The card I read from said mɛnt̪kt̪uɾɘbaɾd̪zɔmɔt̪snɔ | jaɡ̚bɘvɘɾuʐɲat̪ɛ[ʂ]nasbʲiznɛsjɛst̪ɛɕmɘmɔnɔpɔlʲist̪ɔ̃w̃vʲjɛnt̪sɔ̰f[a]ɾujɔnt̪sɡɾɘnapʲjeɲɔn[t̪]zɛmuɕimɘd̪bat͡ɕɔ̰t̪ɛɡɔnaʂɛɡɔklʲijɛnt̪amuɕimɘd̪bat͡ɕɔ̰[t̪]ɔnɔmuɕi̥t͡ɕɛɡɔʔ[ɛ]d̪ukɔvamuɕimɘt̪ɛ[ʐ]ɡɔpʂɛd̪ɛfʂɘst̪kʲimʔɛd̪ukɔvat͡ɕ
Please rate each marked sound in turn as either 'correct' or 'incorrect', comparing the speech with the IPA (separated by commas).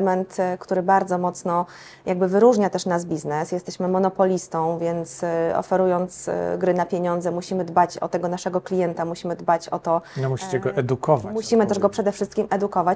correct, incorrect, incorrect, correct, correct, correct